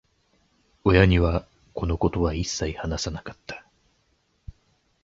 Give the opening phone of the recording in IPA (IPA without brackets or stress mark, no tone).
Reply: o̞